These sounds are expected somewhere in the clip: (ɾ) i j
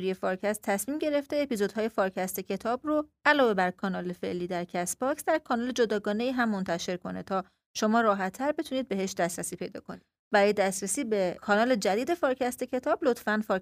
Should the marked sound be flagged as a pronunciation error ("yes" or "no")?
no